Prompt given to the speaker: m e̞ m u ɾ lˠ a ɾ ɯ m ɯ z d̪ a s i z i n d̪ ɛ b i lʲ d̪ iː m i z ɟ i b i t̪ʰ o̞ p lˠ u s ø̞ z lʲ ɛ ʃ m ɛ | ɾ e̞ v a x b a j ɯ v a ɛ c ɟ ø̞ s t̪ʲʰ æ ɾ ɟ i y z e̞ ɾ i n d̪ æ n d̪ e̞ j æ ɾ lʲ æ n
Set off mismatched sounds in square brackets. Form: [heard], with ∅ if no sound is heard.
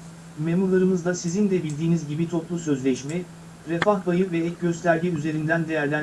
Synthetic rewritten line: m e̞ m u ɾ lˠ a ɾ ɯ m ɯ z d̪ a s i z i n d̪ ɛ b i lʲ d̪ iː [n] i z ɟ i b i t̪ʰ o̞ p lˠ u s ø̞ z lʲ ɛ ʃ m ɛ | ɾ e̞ [f] a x b a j ɯ v [ɛ] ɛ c ɟ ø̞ s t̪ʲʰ æ ɾ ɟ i y z e̞ ɾ i n d̪ æ n d̪ e̞ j æ ɾ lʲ æ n

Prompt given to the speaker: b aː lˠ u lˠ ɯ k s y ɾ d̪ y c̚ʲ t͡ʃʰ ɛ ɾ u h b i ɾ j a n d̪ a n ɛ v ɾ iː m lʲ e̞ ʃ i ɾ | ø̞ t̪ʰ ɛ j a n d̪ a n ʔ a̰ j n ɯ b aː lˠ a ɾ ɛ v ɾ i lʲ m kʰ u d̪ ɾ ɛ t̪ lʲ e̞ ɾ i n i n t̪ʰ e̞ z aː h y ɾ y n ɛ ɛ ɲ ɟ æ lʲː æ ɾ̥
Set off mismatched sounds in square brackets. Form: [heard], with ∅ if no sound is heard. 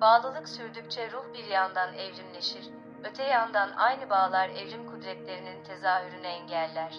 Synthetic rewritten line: b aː lˠ [ɯ] lˠ ɯ k s y ɾ d̪ y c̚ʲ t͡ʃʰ ɛ ɾ u h b i ɾ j a n d̪ a n ɛ v ɾ [i] m lʲ e̞ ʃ i ɾ | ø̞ t̪ʰ ɛ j a n d̪ a n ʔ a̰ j n ɯ b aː lˠ a ɾ ɛ v ɾ i [∅] m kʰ u d̪ ɾ ɛ t̪ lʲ e̞ ɾ i n i n t̪ʰ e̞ z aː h y ɾ y n ɛ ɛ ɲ ɟ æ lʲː æ ɾ̥

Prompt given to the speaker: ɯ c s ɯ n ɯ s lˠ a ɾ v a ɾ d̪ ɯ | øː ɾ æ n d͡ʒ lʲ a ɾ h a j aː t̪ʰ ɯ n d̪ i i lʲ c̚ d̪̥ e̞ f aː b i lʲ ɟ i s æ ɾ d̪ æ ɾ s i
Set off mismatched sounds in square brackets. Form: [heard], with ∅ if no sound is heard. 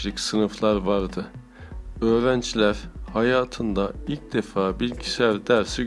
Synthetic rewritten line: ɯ c s ɯ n ɯ [f] lˠ a ɾ v a ɾ d̪ ɯ | øː ɾ æ n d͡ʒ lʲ [æ] ɾ h a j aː t̪ʰ ɯ n d̪ [a] i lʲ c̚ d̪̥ e̞ f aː b i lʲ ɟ i s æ ɾ d̪ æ ɾ s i

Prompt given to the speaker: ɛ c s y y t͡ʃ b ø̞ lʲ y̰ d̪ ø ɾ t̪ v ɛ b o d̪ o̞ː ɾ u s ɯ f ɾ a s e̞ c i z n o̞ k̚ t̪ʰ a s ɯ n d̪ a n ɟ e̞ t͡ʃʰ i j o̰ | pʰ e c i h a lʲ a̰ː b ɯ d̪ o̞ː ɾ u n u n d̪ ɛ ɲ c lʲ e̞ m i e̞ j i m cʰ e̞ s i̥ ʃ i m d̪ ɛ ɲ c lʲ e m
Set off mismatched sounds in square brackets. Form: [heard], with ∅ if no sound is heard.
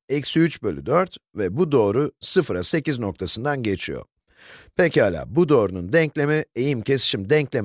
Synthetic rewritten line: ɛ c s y y t͡ʃ b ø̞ lʲ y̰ d̪ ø ɾ t̪ v ɛ b [u] d̪ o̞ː ɾ u s ɯ f ɾ a s e̞ c i z n o̞ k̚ t̪ʰ a s ɯ n d̪ a n ɟ e̞ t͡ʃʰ i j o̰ | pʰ e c i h a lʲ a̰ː b [u] d̪ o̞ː ɾ u n u n d̪ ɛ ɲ c lʲ e̞ m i e̞ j i m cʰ e̞ s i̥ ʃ i m d̪ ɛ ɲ c lʲ e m

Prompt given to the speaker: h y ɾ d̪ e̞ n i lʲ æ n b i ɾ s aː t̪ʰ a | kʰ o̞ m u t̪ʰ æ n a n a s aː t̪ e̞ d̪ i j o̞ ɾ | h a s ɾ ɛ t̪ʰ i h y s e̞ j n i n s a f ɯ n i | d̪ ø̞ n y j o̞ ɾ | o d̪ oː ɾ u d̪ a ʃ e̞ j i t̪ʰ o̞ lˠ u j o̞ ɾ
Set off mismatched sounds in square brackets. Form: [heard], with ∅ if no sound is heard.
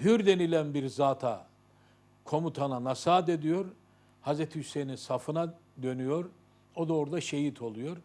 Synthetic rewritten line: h y ɾ d̪ e̞ n i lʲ æ n b i ɾ [z] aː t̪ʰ a | kʰ o̞ m u t̪ʰ [a] n a n a s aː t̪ e̞ d̪ i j o̞ ɾ | h a [z] ɾ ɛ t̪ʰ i h y s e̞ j n i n s a f ɯ n [a] | d̪ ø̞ n y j o̞ ɾ | o d̪ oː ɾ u d̪ a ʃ e̞ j i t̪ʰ o̞ lˠ u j o̞ ɾ

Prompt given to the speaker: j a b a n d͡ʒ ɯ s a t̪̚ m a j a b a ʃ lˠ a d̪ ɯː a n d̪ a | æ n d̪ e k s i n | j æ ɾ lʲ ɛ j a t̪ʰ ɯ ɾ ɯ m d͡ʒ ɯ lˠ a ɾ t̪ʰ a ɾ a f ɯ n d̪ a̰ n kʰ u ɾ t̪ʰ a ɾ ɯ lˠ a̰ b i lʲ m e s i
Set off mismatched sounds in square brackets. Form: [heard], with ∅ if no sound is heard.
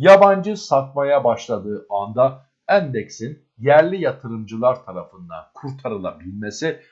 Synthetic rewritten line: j a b a n d͡ʒ ɯ s a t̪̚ m a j a b a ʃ lˠ a d̪ ɯː a n d̪ a | æ n d̪ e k s i n | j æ ɾ lʲ [i] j a t̪ʰ ɯ ɾ ɯ m d͡ʒ ɯ lˠ a ɾ t̪ʰ a ɾ a f ɯ n d̪ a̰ n kʰ u ɾ t̪ʰ a ɾ ɯ lˠ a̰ b i lʲ m e s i

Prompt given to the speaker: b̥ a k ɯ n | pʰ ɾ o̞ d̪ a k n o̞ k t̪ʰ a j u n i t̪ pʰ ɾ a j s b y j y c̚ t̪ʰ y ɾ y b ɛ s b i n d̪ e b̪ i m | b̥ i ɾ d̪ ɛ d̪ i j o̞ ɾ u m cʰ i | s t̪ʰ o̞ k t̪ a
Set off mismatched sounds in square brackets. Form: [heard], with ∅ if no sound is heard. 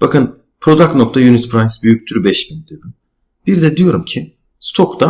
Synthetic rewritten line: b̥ a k ɯ n | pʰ ɾ o̞ d̪ a k n o̞ k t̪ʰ a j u n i t̪ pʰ ɾ a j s b y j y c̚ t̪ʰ y ɾ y b ɛ [ʃ] b i n d̪ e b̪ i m | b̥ i ɾ d̪ ɛ d̪ i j o̞ ɾ u m cʰ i | s t̪ʰ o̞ k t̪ a

